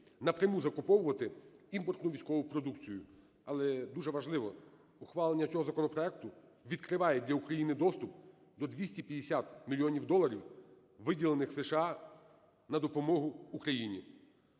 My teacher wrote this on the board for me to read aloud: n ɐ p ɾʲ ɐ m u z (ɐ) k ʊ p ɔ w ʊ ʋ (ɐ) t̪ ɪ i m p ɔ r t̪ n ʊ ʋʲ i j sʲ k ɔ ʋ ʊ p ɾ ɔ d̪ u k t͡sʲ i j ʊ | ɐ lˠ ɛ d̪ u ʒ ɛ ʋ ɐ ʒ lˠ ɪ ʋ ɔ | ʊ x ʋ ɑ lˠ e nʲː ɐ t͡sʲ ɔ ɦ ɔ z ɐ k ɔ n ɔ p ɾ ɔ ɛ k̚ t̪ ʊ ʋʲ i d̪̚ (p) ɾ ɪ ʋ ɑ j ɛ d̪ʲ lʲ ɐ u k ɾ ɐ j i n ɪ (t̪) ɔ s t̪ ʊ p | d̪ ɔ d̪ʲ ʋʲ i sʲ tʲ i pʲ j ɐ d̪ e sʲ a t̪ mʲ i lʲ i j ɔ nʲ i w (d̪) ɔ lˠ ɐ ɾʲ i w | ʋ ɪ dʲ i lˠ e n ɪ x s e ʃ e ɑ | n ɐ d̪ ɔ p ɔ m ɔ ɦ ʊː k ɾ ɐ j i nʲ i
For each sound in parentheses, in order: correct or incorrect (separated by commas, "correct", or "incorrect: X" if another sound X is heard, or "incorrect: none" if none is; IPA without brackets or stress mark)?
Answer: correct, correct, incorrect: k, incorrect: d̪, correct